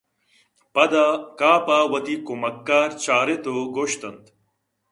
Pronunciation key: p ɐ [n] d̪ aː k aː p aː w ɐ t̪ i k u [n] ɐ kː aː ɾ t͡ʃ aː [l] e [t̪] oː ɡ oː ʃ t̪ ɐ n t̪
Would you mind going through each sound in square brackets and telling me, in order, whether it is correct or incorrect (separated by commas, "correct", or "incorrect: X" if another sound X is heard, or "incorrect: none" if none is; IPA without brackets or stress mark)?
incorrect: none, incorrect: m, incorrect: ɾ, correct